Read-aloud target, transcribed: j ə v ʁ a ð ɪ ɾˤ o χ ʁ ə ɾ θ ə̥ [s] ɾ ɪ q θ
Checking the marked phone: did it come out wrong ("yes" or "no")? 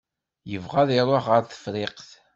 yes